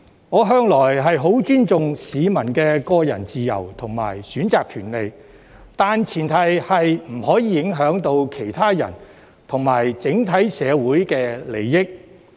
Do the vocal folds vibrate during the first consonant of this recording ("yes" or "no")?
yes